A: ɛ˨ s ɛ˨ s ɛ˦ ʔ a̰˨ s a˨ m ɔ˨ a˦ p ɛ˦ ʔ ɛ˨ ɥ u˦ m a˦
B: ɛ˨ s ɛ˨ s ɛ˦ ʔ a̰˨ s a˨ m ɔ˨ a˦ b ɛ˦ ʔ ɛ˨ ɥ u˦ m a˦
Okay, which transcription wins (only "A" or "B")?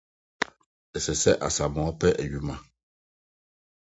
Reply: A